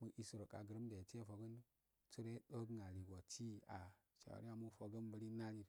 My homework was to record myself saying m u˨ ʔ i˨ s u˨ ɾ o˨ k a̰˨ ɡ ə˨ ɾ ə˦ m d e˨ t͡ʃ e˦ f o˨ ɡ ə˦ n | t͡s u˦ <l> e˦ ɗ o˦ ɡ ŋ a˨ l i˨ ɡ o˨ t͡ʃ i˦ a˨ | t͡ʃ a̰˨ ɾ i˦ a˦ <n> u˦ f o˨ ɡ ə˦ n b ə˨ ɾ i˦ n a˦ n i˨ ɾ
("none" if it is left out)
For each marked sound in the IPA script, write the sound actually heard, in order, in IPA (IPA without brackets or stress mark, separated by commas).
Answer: ɾ, m